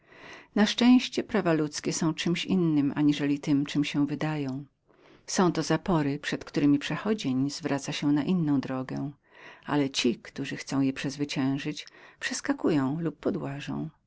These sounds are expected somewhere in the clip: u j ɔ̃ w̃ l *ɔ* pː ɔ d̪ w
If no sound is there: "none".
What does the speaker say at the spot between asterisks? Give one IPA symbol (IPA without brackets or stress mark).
u